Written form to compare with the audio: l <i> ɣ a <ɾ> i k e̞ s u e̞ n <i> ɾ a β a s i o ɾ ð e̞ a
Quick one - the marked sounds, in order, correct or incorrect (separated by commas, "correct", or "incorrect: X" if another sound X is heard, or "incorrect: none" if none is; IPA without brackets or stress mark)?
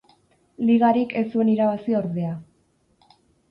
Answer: correct, correct, correct